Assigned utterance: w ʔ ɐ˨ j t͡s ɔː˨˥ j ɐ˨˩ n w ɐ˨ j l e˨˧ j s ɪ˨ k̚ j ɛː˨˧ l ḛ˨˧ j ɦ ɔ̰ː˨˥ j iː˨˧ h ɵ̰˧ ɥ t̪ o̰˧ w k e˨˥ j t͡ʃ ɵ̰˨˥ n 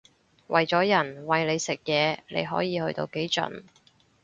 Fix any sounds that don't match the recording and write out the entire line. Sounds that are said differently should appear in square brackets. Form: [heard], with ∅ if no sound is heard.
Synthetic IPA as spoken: w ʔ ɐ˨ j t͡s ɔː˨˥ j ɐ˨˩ n w ɐ˨ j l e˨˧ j s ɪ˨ k̚ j ɛː˨˧ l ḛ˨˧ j ɦ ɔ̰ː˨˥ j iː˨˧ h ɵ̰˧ ɥ t̪ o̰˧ w k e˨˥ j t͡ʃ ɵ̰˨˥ n